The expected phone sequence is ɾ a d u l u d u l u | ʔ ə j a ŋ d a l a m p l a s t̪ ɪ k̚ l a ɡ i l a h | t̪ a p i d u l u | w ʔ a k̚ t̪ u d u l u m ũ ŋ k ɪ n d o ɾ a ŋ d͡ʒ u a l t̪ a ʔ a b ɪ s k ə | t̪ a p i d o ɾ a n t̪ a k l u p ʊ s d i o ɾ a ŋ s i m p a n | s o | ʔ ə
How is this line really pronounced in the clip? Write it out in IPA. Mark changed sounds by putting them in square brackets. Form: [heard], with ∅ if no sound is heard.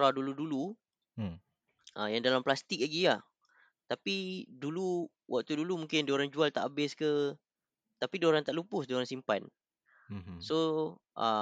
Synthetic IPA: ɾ a d u l u d u l u | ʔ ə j a ŋ d a l a m p l a s t̪ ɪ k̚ l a ɡ i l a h | t̪ a p i d u l u | w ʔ a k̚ t̪ u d u l u m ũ ŋ k ɪ n d o ɾ a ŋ d͡ʒ u a l t̪ a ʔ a b ɪ s k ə | t̪ a p i d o ɾ a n t̪ a [ʔ] l u p ʊ s d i o ɾ a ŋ s i m p a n | s o | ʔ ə